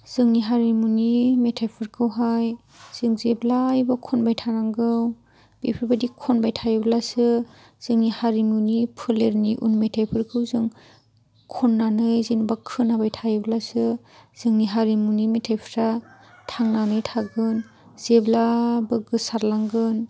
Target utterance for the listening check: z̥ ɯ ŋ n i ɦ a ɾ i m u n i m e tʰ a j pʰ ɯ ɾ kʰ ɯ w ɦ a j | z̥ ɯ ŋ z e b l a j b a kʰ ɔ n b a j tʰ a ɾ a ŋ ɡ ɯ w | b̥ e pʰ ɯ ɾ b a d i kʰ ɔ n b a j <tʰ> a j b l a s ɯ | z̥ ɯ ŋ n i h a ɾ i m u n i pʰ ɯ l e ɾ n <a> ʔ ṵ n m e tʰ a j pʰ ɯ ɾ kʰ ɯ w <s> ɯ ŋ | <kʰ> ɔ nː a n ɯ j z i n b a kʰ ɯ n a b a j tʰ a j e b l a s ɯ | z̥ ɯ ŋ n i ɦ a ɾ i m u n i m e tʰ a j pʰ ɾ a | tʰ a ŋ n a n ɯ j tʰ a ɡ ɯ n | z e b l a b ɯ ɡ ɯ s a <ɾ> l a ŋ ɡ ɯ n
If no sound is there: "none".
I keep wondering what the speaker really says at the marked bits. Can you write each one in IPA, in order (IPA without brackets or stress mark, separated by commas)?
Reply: tʰ, i, z, kʰ, ɾ